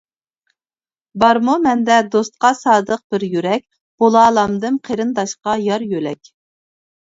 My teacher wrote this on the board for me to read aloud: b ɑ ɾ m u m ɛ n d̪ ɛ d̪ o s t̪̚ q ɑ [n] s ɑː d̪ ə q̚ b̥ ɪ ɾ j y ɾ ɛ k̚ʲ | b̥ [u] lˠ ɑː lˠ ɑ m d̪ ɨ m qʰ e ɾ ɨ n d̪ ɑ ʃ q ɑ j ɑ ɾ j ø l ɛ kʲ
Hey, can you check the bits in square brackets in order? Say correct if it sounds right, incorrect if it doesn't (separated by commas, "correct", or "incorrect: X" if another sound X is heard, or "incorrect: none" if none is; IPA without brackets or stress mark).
incorrect: none, incorrect: o